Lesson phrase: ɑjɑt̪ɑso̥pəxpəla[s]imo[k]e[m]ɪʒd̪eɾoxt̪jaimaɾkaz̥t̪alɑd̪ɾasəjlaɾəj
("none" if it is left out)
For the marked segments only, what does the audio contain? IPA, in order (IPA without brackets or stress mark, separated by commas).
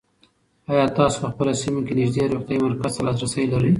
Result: s, k, n